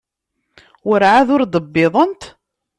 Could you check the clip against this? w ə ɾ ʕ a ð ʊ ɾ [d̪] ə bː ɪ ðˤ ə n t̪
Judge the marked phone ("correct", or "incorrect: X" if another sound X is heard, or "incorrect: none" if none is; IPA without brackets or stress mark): correct